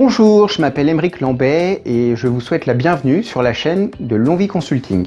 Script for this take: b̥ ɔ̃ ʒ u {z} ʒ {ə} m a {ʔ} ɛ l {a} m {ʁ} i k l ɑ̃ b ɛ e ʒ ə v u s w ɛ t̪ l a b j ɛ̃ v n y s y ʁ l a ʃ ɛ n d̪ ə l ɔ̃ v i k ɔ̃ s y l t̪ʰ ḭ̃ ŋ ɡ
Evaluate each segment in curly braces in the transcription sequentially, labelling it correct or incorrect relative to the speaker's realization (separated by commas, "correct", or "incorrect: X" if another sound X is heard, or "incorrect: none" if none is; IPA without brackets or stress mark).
incorrect: ʁ, correct, incorrect: p, incorrect: ɛ, correct